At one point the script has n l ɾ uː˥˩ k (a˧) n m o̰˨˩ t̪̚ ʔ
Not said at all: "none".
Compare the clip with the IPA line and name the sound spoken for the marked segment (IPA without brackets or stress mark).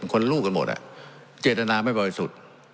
a˧